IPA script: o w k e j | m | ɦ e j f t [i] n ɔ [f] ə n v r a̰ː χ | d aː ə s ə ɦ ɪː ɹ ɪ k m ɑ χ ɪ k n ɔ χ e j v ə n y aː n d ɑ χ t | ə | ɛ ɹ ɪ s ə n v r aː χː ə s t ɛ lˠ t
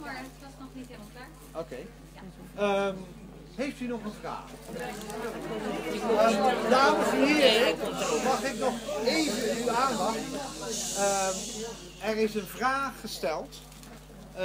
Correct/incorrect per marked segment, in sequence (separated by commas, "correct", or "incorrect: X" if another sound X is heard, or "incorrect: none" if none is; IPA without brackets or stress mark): incorrect: y, incorrect: χ